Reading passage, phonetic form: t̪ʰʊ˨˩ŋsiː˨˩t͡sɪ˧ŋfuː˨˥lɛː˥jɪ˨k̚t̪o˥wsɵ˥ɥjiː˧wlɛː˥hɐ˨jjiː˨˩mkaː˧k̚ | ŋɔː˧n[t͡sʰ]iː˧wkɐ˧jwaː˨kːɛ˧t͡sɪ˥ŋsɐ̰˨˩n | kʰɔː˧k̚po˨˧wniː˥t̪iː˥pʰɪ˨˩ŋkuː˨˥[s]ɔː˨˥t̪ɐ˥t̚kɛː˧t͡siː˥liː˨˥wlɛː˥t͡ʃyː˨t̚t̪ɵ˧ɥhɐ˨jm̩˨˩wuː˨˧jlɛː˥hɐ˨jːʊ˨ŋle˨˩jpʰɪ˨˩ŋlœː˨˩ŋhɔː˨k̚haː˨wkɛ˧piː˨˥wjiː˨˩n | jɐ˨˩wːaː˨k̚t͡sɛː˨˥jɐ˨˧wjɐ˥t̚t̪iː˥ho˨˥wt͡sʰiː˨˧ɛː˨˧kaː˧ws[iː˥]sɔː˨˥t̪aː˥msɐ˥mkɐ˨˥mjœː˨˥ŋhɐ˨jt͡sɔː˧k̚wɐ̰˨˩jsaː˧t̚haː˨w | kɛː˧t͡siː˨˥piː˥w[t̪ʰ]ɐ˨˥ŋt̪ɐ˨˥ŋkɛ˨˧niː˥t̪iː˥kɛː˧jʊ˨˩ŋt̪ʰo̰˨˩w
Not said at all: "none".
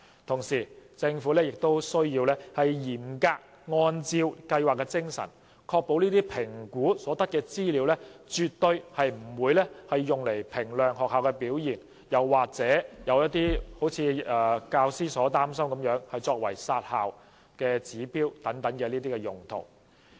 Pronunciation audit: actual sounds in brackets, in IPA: t͡s, s, iː˥, t̪

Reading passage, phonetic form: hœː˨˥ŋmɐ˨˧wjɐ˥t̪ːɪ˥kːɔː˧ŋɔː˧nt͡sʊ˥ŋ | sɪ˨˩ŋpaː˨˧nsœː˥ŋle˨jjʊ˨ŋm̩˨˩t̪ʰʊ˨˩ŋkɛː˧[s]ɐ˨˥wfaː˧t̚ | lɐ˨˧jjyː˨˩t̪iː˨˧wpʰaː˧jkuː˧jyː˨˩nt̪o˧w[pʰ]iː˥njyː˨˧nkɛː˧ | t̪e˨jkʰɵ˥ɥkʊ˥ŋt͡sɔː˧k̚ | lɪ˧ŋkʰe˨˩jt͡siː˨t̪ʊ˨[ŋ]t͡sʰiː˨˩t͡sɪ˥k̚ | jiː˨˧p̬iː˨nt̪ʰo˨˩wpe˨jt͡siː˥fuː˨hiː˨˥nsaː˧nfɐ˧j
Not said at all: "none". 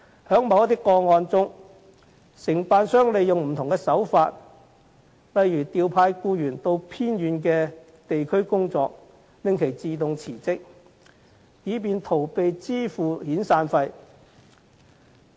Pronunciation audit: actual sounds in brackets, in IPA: s, pʰ, ŋ

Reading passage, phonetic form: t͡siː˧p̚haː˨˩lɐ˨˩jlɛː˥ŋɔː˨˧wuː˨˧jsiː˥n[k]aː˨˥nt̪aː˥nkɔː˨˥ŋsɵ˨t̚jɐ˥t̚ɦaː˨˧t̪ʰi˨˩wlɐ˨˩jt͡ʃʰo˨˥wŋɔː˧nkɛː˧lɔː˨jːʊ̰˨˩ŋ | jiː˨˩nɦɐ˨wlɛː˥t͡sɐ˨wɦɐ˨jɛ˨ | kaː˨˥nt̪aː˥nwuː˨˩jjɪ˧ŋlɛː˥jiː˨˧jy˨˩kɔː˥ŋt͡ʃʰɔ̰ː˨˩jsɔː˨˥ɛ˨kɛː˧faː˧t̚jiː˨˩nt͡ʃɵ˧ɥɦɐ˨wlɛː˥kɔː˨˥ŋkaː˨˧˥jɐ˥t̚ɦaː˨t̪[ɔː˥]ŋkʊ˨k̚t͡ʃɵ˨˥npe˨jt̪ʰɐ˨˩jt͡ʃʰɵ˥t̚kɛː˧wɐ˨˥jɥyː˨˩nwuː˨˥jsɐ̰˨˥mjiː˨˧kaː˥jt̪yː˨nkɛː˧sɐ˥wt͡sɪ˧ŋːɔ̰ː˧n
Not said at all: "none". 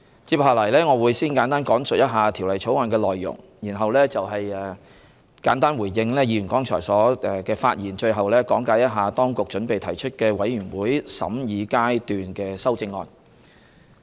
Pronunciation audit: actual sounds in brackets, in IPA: k, ɔː˥

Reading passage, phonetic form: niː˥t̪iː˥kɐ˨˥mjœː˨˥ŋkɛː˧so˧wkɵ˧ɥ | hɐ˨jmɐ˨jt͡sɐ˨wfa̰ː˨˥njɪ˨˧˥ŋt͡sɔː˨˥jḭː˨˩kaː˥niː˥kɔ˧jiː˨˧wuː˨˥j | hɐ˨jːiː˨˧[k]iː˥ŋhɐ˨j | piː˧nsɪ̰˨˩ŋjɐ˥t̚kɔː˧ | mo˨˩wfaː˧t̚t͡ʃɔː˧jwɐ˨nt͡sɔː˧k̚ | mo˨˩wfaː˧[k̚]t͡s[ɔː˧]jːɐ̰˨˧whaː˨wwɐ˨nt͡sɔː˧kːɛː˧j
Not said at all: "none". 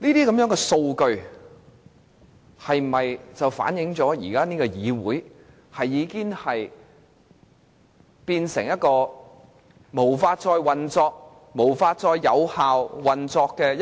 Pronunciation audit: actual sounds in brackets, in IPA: k, t̚, ɔː˧

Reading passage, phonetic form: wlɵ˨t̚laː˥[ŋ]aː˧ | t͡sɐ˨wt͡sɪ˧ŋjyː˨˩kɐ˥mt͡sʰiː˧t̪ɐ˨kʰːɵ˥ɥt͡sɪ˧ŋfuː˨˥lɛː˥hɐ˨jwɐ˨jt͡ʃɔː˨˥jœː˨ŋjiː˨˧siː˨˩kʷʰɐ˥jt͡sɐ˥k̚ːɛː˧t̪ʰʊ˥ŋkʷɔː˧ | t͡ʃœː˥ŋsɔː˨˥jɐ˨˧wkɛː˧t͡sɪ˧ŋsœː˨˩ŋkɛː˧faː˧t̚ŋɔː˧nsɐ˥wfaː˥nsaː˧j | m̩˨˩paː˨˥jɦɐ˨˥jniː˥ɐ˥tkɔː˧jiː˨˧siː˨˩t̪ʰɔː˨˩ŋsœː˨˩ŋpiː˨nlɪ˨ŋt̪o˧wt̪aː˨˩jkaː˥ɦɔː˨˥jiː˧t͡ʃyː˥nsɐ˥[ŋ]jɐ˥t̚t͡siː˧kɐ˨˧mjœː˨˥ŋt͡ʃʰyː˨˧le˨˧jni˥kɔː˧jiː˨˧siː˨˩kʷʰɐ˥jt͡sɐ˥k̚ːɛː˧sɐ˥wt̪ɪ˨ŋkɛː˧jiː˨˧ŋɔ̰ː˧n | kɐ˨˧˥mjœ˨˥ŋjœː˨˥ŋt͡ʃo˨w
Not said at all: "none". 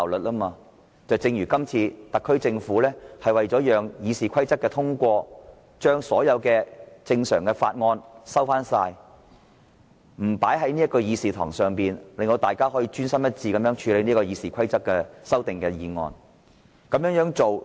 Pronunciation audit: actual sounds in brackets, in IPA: m, m

